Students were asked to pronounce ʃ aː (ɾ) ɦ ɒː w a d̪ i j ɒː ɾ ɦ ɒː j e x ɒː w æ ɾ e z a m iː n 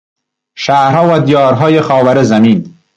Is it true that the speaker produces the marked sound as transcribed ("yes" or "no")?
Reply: yes